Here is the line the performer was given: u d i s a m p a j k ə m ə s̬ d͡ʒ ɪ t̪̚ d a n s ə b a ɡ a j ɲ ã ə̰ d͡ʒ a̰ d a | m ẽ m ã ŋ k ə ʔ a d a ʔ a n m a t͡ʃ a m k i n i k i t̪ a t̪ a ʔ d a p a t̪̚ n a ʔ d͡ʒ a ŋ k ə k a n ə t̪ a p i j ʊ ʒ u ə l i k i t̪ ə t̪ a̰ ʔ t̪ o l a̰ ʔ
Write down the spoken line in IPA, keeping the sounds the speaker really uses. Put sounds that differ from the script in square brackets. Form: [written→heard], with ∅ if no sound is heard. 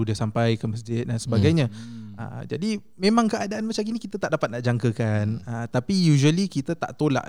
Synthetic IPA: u d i s a m p a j k ə m ə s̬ d͡ʒ ɪ t̪̚ d a n s ə b a ɡ a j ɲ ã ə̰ d͡ʒ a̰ d [a→i] | m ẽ m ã ŋ k ə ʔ a d a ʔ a n m a t͡ʃ a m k i n i k i t̪ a t̪ a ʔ d a p a t̪̚ n a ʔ d͡ʒ a ŋ k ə k a n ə t̪ a p i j [ʊ→u] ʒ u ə l i k i t̪ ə t̪ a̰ ʔ t̪ o l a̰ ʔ